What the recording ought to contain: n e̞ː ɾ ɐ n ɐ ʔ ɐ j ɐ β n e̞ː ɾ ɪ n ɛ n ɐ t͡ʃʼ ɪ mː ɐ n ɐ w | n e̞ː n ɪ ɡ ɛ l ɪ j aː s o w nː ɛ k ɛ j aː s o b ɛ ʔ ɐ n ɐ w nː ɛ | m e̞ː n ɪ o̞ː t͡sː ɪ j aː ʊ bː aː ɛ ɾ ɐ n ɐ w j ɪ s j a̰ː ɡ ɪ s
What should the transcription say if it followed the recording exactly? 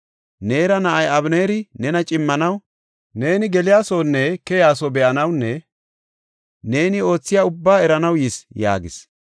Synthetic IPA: n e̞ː ɾ ɐ n ɐ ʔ ɐ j ɐ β n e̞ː ɾ ɪ n ɛ n ɐ t͡ʃʼ ɪ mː ɐ n ɐ w | n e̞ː n ɪ ɡ ɛ l ɪ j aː s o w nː ɛ k ɛ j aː s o b ɛ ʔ ɐ n ɐ w nː ɛ | n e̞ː n ɪ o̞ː t͡sː ɪ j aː ʊ bː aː ɛ ɾ ɐ n ɐ w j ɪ s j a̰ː ɡ ɪ s